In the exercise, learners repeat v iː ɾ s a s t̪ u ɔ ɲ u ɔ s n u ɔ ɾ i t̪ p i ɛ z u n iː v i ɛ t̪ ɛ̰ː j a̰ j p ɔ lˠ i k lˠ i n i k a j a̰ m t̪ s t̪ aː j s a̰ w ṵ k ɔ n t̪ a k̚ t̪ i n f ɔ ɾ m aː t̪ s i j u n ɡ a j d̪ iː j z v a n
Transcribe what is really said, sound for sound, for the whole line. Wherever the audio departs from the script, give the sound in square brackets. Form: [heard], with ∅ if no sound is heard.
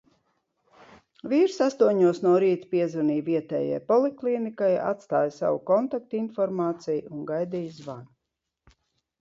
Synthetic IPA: v iː ɾ s a s t̪ u ɔ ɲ u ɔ s n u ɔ ɾ [iː] t̪ p i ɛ z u n iː v i ɛ t̪ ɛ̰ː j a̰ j p ɔ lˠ i k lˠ i n i k a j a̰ [∅] t̪ s t̪ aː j s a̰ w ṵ k ɔ n t̪ a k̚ t̪ i n f ɔ ɾ m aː t̪ s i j u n ɡ a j d̪ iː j z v a n